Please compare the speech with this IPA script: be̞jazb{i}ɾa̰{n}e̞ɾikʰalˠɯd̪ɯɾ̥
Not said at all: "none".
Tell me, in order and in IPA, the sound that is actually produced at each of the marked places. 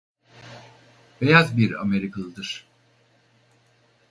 i, m

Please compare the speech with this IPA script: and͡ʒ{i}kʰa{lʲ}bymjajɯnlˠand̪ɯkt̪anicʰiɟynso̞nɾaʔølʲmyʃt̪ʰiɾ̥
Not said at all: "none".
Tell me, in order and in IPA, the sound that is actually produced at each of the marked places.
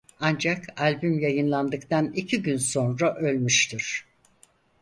a, lʲ

